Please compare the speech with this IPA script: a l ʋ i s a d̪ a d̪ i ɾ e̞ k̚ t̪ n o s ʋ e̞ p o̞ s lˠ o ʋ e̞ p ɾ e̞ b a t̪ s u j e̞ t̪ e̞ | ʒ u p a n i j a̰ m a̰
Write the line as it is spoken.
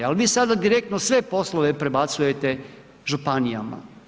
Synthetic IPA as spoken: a l ʋ iː s a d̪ a d̪ i ɾ e̞ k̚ t̪ n o s ʋ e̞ p o̞ s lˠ o ʋ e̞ p ɾ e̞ b a t̪ s u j e̞ t̪ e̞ | ʒ u p a n i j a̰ m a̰

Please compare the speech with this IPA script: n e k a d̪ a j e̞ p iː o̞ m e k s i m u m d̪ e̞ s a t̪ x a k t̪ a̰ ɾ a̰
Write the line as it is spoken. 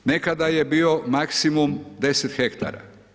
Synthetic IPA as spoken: n e k a d̪ a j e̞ b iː o̞ m a k s i m u m d̪ e̞ s e t̪ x e k t̪ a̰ ɾ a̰

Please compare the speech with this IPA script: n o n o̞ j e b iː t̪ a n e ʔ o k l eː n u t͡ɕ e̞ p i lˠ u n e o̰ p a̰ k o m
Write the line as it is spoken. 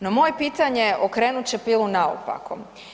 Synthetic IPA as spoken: n o m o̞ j e p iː t̪ a ɲ e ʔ o k ɾ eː n u t͡ɕ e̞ p i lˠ u n a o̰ p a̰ k o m

